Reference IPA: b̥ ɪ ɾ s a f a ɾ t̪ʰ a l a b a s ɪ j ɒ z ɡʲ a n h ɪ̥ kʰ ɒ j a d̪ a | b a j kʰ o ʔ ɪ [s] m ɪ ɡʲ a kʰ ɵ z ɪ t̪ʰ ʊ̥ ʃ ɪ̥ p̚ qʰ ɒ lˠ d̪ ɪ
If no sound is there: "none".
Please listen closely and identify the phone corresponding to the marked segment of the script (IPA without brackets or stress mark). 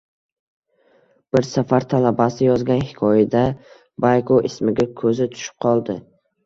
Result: s